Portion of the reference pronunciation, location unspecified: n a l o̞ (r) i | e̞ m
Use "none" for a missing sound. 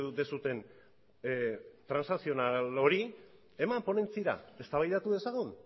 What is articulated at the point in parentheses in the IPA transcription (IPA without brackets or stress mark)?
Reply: ɾ